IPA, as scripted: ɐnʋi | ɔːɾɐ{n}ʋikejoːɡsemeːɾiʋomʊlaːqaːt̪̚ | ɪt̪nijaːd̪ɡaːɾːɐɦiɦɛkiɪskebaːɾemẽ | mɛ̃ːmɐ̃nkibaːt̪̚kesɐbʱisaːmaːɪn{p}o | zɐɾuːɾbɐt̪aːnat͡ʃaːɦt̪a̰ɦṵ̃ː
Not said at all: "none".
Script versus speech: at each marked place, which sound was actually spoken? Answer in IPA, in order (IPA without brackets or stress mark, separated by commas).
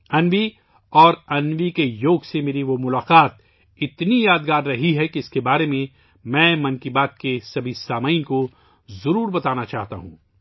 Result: n, k